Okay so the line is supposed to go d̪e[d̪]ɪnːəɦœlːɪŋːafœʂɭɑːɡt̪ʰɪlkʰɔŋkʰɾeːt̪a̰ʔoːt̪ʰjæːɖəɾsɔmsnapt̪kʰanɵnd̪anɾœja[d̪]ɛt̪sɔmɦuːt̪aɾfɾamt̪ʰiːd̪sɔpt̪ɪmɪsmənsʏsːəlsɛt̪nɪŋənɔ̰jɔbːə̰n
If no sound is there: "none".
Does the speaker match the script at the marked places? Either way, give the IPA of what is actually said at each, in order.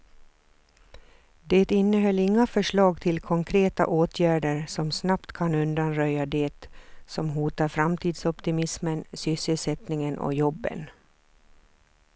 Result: t̪, d̪

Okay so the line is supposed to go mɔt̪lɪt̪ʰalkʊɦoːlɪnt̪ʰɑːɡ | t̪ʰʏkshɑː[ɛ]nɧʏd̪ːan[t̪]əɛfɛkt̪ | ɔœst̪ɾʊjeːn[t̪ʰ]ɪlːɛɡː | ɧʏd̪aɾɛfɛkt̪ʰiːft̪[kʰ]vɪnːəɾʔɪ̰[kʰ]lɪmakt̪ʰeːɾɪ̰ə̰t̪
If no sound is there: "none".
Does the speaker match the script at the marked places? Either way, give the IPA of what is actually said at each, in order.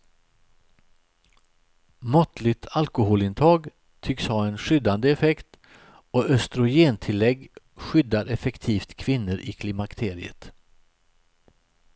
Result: ɛ, d̪, t̪ʰ, kʰ, kʰ

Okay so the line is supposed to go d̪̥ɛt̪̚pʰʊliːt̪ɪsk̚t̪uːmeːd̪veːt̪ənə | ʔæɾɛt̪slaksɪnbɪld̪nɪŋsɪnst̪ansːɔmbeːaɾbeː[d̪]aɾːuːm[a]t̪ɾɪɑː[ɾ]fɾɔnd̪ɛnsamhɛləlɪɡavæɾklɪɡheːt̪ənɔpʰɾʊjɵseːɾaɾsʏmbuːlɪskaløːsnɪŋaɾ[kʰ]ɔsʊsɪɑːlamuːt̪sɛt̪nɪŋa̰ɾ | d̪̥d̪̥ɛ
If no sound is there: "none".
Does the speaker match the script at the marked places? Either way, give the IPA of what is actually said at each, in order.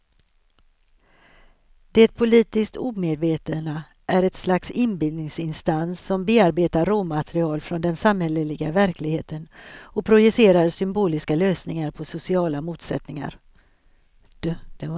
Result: t̪, a, l, pʰ

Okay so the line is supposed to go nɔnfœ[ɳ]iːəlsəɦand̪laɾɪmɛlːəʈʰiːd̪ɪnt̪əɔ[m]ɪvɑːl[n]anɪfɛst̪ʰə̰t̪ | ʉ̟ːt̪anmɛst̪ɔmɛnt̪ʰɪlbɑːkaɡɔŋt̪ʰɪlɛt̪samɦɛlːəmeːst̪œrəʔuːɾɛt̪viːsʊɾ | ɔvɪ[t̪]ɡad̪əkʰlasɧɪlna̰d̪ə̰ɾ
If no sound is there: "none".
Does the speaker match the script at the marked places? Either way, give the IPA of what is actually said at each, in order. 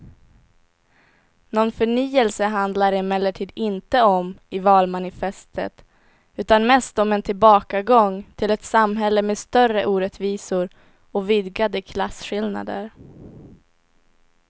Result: ɳ, m, m, d̪

